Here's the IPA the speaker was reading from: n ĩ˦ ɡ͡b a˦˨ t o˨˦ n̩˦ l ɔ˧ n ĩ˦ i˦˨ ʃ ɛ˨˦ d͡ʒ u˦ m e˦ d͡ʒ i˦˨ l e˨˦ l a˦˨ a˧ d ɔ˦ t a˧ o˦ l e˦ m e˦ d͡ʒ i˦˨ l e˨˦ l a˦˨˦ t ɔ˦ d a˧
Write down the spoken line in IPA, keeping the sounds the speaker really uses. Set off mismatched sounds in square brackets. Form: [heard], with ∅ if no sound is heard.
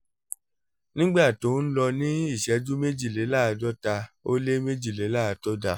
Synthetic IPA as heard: n ĩ˦ ɡ͡b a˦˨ t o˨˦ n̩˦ l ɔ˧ n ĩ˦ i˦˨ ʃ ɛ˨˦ d͡ʒ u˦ m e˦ d͡ʒ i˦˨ l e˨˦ l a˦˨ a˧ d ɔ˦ t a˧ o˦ l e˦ m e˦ d͡ʒ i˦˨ l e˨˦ l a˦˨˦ t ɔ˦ d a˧